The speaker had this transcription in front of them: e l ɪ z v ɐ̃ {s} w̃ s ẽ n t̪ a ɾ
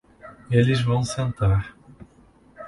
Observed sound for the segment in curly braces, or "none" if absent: none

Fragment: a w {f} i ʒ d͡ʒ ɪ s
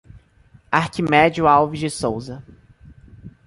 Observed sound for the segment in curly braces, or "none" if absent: v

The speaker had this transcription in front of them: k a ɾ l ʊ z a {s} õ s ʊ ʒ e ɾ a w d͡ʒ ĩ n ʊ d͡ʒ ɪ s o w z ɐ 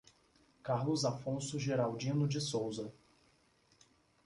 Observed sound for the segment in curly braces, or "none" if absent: f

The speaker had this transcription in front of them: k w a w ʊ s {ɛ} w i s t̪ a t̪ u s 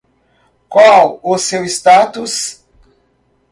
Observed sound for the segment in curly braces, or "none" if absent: e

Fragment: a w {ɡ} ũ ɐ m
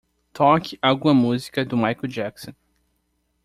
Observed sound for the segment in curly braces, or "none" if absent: ɡ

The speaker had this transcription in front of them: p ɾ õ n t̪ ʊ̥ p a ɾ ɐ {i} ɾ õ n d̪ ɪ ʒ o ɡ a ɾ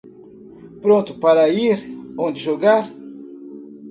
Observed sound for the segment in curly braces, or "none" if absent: i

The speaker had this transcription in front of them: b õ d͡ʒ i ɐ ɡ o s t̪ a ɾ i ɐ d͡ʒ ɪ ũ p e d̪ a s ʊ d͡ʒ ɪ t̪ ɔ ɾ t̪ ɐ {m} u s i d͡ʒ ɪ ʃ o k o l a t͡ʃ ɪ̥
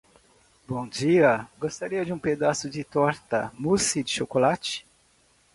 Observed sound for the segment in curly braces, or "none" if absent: m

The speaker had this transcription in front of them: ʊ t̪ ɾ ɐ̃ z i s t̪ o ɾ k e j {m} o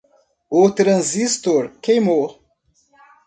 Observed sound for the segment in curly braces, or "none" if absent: m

